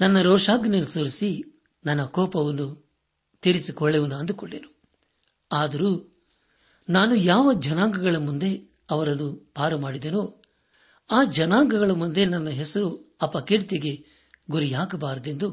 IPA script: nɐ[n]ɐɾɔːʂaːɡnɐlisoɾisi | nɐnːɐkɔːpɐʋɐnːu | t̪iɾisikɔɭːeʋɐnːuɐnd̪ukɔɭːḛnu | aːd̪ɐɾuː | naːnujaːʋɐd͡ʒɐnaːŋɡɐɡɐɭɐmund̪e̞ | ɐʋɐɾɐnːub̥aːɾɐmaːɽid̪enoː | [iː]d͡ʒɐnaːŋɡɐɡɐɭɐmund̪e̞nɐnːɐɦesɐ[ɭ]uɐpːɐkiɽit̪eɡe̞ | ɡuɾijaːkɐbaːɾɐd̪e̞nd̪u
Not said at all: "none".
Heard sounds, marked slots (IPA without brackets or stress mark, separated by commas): nː, aː, ɾ